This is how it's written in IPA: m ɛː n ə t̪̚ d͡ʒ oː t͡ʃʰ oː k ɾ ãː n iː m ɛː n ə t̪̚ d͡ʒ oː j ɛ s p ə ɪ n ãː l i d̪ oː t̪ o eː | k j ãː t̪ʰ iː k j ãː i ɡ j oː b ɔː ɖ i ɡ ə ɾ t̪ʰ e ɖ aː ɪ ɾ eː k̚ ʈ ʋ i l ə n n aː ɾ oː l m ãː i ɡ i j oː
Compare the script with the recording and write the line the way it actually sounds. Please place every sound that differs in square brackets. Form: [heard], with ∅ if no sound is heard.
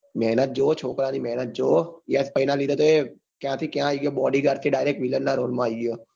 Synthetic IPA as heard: m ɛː n ə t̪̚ d͡ʒ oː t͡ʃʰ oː k ɾ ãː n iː m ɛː n ə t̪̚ d͡ʒ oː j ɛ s p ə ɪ n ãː l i d̪ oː t̪ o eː | k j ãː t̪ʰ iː k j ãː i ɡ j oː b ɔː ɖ i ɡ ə ɾ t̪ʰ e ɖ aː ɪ ɾ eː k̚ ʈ ʋ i l ə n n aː ɾ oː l m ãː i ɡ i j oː

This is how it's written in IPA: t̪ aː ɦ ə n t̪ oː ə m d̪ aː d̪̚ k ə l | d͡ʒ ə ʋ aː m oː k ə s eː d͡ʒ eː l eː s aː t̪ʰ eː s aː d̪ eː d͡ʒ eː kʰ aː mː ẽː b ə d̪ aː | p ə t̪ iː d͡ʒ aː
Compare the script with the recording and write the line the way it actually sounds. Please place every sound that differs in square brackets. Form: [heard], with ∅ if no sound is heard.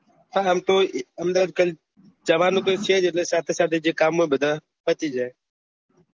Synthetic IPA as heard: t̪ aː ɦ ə [m] t̪ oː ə m d̪ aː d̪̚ k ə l | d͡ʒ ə ʋ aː [n] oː k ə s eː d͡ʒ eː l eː s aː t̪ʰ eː s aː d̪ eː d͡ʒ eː [k] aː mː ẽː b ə d̪ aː | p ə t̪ iː d͡ʒ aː

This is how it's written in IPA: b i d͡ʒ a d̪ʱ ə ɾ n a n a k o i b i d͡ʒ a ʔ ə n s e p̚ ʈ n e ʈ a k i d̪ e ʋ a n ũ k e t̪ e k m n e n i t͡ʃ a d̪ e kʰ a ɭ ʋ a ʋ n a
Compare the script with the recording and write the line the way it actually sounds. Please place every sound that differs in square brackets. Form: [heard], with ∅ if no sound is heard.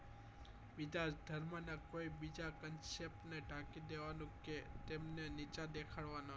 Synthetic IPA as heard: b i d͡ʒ a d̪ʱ ə ɾ [m] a n a k o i b i d͡ʒ a [k] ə n s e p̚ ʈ n e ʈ a k i d̪ e ʋ a n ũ k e t̪ e [∅] m n e n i t͡ʃ a d̪ e kʰ a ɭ ʋ a [∅] n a

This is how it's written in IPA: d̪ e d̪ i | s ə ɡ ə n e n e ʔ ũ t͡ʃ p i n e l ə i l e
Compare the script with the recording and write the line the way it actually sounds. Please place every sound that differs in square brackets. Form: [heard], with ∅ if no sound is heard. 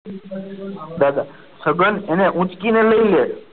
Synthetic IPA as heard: d̪ [a] d̪ [a] | s ə ɡ ə n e n e ʔ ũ t͡ʃ [k] i n e l ə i l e

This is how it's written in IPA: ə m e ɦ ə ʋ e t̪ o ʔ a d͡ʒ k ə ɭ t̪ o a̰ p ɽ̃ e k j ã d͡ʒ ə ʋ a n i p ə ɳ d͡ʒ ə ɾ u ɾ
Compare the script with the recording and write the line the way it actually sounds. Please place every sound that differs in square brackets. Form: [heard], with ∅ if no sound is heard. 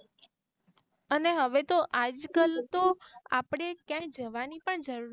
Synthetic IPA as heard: ə [n] e ɦ ə ʋ e t̪ o ʔ a d͡ʒ k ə [l] t̪ o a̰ p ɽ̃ e k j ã d͡ʒ ə ʋ a n i p ə ɳ d͡ʒ ə ɾ u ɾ

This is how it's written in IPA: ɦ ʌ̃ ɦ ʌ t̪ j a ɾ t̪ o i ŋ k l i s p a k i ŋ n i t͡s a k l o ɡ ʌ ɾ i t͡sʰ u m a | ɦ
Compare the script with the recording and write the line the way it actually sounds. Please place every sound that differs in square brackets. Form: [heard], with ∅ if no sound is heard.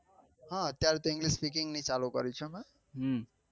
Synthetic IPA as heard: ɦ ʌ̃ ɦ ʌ t̪ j a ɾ t̪ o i ŋ [ɡ] l i s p [i] k i ŋ n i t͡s a [∅] l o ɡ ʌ ɾ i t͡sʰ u m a | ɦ

